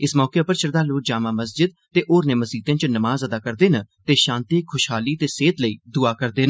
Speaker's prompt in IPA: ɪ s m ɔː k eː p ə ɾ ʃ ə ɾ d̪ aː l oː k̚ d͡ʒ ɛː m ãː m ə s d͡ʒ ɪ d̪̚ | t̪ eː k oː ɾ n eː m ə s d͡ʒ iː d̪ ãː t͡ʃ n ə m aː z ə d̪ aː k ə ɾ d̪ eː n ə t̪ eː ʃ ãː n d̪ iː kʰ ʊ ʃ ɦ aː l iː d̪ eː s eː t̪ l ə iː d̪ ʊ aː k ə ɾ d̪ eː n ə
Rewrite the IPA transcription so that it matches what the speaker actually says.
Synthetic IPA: ɪ s m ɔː k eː p ə ɾ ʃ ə ɾ d̪ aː l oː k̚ d͡ʒ aː m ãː m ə s d͡ʒ ɪ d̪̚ | t̪ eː ʔ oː ɾ n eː m ə s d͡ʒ iː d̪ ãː t͡ʃ n ə m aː z ə d̪ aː k ə ɾ d̪ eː n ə t̪ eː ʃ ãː n t̪ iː kʰ ʊ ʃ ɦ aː l iː t̪ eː s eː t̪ l ə iː d̪ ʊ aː k ə ɾ d̪ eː n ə